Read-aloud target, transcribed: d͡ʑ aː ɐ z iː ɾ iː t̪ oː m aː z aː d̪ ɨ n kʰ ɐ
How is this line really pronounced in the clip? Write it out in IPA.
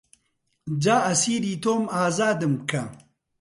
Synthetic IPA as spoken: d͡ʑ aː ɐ s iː ɾ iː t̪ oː m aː z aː d̪ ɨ m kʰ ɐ